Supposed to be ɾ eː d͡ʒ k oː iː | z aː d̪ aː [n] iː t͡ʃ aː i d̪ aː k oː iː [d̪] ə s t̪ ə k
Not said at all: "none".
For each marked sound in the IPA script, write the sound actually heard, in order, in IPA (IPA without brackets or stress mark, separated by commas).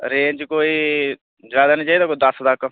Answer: n, d̪